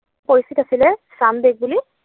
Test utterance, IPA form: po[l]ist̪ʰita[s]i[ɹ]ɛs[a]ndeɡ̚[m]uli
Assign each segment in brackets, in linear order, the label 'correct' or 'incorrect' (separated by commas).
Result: incorrect, correct, incorrect, correct, incorrect